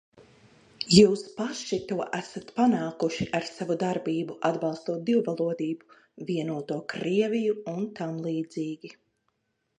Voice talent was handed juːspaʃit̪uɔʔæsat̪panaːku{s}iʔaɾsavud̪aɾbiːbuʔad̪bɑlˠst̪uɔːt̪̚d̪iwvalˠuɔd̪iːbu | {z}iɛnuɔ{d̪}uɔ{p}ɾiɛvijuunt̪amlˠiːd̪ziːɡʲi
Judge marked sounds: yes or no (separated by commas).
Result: no, no, no, no